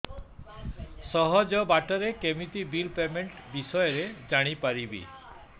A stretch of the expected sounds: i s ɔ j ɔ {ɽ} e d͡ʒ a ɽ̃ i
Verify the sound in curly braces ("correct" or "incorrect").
incorrect